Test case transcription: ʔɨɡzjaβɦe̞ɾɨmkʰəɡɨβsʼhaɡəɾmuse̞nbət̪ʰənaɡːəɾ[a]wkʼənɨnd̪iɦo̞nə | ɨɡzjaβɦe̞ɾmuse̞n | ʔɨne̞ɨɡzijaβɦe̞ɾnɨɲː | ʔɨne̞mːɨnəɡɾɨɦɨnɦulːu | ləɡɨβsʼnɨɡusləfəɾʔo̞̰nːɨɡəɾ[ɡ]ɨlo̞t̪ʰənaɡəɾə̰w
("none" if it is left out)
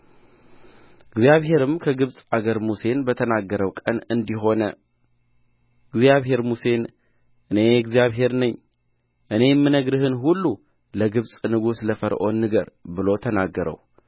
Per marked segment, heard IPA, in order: ə, b

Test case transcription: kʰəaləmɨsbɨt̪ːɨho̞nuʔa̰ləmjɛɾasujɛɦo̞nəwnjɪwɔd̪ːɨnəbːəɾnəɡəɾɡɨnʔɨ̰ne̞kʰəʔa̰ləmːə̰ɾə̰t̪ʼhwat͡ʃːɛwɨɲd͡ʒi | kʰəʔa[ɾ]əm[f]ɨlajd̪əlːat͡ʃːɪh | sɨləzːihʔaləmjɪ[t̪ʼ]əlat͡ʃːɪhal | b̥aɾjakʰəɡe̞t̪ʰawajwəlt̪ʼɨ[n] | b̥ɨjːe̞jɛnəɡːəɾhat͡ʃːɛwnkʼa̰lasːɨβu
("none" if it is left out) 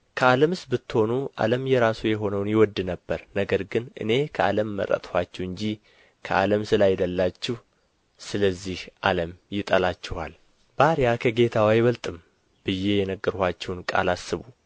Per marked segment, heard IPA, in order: l, s, t̪ʼ, m

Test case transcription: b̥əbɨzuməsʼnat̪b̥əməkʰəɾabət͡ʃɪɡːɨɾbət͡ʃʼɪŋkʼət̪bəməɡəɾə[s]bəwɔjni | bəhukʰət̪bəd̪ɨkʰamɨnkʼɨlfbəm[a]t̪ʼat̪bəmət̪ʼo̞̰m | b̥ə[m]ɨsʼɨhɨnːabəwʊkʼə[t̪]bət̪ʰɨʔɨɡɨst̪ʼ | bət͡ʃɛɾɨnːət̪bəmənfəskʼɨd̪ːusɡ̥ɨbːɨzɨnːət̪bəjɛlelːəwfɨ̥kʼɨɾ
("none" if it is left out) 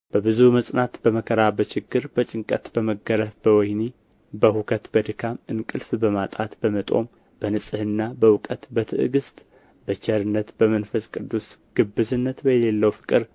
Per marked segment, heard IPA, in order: f, a, n, t̪

